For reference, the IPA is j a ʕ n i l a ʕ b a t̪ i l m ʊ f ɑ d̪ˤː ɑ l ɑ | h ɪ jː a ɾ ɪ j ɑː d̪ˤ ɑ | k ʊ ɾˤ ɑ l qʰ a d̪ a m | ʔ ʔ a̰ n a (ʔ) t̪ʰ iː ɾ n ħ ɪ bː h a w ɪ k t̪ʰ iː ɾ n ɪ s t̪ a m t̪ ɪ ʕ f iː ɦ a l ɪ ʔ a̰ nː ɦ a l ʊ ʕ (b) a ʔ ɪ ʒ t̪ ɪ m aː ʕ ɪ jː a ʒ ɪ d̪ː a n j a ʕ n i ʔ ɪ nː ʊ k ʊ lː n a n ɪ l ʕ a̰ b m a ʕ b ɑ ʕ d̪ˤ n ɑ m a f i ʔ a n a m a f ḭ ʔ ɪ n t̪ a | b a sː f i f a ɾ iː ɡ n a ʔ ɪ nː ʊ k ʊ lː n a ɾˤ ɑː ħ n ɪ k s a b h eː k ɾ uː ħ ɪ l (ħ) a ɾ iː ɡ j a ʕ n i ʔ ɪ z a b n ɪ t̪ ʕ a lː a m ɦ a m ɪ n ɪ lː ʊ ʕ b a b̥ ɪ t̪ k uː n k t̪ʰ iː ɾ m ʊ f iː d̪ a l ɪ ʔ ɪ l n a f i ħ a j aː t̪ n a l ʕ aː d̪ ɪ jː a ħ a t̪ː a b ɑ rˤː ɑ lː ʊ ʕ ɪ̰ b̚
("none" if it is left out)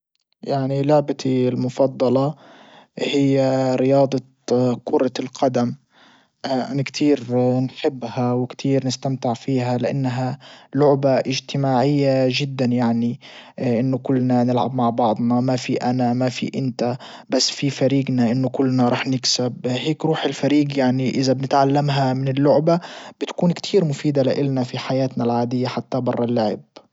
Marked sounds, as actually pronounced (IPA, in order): k, b, f

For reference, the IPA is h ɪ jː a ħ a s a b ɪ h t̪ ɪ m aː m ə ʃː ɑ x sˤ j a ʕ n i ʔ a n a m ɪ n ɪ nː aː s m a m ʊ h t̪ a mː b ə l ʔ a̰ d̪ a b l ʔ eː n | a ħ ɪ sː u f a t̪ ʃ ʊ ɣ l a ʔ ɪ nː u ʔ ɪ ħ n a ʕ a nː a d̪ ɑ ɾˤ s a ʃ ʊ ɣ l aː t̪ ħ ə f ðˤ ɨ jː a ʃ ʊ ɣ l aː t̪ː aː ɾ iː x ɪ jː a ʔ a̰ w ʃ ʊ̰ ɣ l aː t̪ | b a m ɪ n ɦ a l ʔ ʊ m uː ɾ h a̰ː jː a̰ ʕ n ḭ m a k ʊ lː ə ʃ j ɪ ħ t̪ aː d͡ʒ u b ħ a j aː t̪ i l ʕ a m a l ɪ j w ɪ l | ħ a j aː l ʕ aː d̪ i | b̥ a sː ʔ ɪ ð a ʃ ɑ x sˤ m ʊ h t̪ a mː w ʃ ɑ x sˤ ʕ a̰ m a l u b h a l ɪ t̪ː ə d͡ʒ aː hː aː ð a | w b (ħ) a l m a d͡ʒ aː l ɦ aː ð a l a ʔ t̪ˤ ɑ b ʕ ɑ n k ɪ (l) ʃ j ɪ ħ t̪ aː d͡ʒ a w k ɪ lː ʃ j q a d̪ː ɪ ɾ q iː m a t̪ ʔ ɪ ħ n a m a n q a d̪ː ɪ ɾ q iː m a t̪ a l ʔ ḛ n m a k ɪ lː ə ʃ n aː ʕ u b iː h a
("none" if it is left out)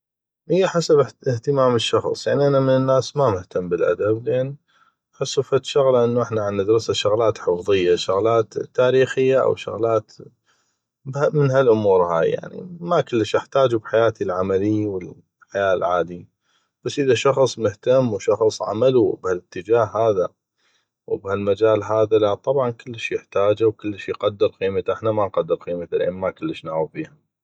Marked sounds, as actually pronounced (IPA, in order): h, lː

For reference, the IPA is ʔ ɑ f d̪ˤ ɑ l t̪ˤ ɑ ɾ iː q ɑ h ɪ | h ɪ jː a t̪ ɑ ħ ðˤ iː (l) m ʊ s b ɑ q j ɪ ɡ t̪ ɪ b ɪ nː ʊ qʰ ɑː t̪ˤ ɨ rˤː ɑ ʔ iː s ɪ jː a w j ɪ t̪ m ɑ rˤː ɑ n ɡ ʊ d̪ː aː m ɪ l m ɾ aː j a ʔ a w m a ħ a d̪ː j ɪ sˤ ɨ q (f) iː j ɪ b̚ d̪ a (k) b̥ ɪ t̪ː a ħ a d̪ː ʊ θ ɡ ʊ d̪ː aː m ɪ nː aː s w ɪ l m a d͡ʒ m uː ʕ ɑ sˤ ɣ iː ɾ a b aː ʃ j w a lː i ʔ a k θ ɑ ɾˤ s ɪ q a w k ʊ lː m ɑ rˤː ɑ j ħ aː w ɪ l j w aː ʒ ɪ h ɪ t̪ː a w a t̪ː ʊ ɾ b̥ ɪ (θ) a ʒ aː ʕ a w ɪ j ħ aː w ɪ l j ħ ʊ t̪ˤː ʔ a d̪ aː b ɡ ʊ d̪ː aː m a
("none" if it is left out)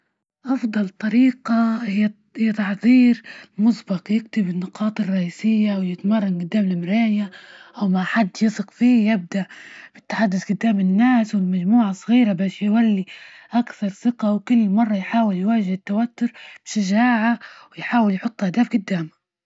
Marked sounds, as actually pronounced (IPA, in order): ɾ, f, ʔ, ʃ

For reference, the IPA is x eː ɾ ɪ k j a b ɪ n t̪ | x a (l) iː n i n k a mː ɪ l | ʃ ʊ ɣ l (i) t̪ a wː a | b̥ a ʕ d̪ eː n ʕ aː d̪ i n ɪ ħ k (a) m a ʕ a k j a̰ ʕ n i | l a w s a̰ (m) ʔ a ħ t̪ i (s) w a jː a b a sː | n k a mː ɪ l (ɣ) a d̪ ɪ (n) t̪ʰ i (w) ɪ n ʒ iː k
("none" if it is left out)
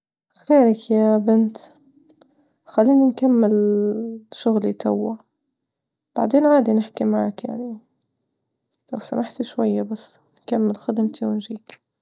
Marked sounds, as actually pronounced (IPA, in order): lː, i, i, m, ʃ, x, m, w

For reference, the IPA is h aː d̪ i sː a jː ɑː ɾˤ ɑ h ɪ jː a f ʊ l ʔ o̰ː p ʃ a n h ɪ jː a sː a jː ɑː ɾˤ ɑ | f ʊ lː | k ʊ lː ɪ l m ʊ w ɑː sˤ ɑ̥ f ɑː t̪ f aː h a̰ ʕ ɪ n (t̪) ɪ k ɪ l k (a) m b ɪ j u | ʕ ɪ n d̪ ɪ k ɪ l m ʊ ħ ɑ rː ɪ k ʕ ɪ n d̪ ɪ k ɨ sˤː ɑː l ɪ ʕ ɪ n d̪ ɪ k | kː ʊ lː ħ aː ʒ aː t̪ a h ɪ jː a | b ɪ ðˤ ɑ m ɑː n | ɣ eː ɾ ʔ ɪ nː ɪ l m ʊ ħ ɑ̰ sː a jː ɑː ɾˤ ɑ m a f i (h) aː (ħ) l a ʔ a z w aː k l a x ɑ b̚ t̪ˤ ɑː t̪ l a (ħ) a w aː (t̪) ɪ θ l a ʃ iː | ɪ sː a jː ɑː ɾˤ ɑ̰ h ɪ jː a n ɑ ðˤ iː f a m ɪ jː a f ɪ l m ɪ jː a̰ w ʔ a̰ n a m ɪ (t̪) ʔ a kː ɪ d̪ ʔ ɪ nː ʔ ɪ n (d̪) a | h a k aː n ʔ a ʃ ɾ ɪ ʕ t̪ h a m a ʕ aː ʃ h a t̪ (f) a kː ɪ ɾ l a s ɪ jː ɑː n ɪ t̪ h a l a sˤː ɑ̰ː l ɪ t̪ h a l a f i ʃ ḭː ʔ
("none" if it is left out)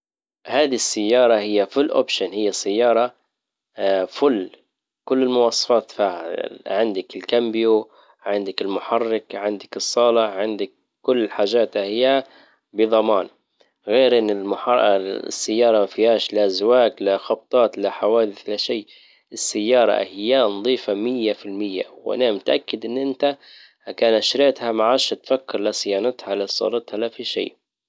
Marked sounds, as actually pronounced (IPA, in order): d̪, a, h, ʃ, ħ, d̪, t̪, t̪, f

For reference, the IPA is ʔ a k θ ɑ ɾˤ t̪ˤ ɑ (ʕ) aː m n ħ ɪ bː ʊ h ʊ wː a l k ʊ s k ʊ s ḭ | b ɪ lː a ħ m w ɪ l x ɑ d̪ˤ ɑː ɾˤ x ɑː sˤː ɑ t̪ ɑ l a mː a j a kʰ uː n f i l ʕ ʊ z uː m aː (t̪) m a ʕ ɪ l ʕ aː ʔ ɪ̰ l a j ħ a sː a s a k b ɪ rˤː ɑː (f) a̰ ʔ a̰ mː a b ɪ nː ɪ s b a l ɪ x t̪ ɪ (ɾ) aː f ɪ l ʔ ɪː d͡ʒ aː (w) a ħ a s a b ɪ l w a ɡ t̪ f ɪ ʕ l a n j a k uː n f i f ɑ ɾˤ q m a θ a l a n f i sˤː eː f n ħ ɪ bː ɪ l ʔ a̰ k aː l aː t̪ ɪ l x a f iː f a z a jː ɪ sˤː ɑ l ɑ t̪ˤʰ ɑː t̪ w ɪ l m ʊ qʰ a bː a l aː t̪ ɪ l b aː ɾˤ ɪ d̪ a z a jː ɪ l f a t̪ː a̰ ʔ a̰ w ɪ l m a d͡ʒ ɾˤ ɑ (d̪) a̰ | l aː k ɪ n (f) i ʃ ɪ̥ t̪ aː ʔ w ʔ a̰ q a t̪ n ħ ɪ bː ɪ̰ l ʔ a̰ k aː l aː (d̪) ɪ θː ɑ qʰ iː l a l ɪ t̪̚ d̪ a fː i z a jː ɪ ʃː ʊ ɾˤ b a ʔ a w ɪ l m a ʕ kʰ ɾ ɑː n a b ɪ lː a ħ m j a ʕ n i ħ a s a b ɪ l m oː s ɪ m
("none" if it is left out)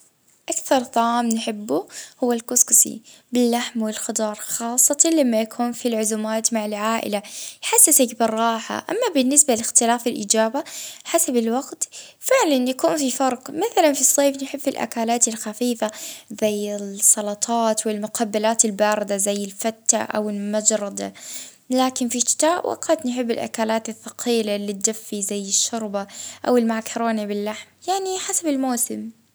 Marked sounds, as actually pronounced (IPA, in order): ʕ, t̪, ħ, l, b, d̪, f, t̪

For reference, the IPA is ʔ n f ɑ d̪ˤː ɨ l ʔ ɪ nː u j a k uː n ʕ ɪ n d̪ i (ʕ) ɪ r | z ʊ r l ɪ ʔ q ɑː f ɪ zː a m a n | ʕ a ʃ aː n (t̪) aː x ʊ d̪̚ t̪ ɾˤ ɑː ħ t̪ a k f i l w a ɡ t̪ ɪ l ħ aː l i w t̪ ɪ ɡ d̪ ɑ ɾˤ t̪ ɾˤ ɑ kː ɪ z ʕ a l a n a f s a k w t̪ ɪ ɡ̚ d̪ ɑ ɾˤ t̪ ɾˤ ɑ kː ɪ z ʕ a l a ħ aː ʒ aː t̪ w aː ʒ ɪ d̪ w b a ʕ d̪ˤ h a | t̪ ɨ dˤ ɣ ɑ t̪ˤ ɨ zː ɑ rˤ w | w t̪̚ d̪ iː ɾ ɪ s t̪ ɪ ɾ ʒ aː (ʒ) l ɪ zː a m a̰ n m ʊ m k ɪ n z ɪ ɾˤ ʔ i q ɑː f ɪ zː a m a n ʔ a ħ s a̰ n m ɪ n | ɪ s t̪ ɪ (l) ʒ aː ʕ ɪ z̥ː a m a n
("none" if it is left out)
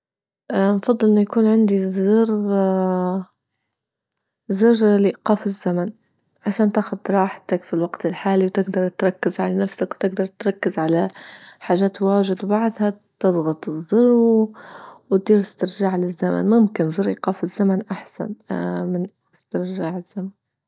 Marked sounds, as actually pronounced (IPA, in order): z, t̪, ʕ, ɾ

